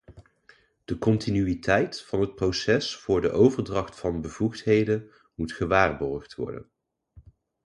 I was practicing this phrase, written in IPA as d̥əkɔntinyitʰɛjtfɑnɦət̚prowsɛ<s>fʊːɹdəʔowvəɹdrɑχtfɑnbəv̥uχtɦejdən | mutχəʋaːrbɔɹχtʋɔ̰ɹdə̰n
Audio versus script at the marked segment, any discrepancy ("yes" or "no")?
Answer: no